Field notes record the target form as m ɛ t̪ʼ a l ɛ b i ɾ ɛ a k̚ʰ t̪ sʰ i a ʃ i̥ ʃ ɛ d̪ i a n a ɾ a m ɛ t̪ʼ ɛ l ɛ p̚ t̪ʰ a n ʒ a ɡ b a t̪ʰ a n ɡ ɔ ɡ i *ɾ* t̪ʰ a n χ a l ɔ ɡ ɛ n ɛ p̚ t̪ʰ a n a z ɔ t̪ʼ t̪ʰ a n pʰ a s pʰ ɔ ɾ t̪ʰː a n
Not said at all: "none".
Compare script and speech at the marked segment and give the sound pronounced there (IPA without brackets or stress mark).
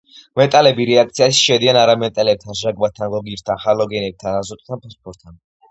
ɾ